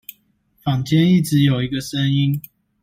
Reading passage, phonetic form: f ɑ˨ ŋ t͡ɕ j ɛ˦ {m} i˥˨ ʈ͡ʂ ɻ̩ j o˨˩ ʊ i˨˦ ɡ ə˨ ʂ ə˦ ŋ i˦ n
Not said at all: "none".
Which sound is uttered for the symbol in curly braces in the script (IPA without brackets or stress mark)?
n